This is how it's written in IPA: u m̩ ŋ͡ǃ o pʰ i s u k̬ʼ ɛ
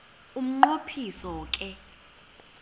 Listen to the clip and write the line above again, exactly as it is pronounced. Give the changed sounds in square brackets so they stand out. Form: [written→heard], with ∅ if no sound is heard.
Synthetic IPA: u m̩ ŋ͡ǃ o pʰ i s [u→ɔ] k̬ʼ ɛ